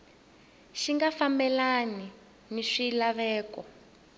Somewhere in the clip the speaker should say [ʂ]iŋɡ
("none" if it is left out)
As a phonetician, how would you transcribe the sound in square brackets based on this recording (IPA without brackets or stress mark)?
ʃ